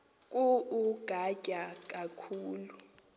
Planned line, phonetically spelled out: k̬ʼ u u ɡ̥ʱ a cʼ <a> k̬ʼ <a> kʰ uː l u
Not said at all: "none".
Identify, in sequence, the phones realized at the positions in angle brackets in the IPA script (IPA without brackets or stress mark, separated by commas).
a, a